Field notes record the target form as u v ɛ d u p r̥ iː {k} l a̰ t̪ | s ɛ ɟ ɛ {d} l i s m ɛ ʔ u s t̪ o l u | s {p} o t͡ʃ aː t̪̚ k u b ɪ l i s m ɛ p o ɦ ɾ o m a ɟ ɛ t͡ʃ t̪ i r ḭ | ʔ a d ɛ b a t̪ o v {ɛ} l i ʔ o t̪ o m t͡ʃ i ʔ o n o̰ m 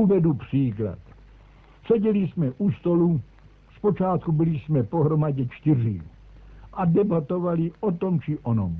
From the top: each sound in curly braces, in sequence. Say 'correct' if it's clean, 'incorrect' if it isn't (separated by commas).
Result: correct, incorrect, correct, incorrect